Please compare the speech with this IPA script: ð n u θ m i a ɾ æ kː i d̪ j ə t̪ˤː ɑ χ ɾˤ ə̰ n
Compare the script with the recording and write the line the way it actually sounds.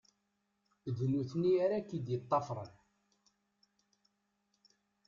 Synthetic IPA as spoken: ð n u θ n i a ɾ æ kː i d̪ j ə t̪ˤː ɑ f ɾˤ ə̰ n